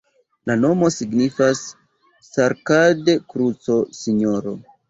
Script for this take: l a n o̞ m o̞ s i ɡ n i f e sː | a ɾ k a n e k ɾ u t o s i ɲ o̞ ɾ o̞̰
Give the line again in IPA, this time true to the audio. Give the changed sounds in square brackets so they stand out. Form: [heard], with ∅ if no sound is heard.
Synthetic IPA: l a n o̞ m o̞ s i ɡ n i f [a] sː | a ɾ k a [d] e k ɾ u [t͡s] o s i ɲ o̞ ɾ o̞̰